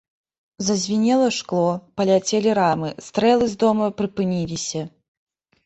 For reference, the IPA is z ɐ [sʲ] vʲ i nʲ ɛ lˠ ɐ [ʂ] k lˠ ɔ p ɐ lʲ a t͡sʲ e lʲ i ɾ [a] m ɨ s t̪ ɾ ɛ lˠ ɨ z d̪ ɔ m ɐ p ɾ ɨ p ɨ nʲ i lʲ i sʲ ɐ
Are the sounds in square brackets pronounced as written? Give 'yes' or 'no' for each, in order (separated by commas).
no, yes, yes